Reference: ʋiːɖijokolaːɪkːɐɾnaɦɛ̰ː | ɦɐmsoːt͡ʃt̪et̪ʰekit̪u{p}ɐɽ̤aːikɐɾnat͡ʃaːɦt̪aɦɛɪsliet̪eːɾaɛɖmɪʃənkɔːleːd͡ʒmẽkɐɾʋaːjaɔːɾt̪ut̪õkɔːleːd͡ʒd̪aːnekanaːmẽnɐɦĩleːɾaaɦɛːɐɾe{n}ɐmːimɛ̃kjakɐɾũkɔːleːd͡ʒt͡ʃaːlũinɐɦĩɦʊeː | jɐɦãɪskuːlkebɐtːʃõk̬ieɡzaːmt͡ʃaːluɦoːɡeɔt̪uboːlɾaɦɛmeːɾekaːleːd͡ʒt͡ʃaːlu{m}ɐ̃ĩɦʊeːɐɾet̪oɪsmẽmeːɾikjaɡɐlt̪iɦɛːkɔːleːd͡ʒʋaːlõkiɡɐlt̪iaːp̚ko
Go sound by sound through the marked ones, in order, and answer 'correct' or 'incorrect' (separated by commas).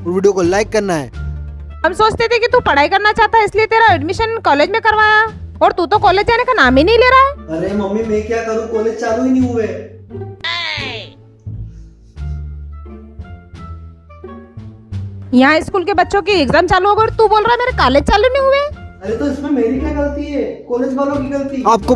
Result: correct, incorrect, incorrect